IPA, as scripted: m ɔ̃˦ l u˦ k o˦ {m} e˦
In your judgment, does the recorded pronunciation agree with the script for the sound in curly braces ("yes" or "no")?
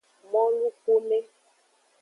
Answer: yes